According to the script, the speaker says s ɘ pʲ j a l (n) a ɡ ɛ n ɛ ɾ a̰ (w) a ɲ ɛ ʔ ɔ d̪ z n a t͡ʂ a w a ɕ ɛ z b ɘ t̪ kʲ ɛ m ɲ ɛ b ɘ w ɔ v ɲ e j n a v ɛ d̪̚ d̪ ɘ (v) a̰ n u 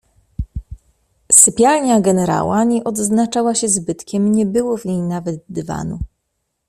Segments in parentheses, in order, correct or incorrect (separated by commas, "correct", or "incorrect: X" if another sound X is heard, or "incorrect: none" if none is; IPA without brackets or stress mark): incorrect: ɲ, correct, correct